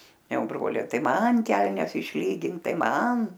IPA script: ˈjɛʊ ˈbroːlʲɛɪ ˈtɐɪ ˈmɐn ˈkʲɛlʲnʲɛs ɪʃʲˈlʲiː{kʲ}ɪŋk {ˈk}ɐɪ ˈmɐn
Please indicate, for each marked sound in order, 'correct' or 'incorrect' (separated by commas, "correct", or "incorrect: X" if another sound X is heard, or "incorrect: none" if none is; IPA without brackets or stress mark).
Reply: incorrect: ɡʲ, incorrect: t